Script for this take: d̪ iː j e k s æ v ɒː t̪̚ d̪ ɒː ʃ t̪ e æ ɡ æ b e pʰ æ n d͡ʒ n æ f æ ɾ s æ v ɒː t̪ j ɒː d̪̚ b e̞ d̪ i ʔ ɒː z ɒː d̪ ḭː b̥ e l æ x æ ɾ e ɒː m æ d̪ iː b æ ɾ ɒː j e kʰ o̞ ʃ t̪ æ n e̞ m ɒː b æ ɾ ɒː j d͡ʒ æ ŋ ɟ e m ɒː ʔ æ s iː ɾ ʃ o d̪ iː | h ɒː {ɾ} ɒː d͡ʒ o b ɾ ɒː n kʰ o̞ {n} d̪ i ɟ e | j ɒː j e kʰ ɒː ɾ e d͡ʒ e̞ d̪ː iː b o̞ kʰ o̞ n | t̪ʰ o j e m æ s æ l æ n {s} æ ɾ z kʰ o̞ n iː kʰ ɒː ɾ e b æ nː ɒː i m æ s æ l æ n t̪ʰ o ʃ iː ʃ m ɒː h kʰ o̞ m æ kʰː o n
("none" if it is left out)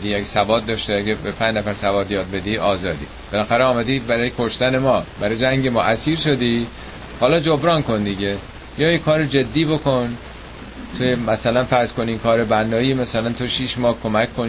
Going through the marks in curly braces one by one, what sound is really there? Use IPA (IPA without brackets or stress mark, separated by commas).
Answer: l, n, f